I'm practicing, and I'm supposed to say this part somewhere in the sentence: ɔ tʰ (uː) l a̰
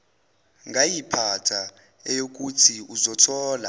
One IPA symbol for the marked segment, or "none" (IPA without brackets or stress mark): ɔː